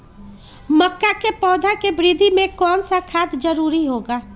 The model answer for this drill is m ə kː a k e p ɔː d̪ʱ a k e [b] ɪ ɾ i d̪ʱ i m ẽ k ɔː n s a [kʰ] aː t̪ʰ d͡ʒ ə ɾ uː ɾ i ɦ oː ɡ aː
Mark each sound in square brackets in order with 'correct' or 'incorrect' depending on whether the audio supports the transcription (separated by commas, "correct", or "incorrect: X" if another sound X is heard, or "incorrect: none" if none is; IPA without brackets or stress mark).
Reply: correct, correct